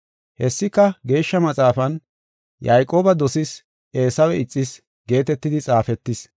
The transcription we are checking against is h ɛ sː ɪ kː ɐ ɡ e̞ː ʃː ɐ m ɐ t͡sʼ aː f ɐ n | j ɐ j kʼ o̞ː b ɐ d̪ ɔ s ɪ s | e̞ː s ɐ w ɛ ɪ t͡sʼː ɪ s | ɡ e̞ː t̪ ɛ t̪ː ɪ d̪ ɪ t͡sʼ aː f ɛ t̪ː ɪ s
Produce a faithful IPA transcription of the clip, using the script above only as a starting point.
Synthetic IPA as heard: h ɛ sː ɪ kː ɐ ɡ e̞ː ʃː ɐ m ɐ t͡sʼ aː f ɐ n | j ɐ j kʼ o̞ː b ɐ d̪ ɔ s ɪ s | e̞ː s ɐ w ɛ ɪ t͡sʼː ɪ s | ɡ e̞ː t̪ ɛ t̪ː ɪ d̪ ɪ t͡sʼ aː f ɛ t̪ː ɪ s